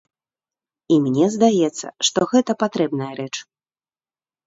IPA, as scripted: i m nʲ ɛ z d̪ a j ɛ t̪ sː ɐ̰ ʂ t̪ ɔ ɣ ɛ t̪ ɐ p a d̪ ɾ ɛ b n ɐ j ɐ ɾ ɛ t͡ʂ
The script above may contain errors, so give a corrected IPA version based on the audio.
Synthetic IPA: i m nʲ ɛ z d̪ a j ɛ t̪ sː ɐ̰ ʂ t̪ ɔ ɣ ɛ t̪ ɐ p a t̪ ɾ ɛ b n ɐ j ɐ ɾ ɛ t͡ʂ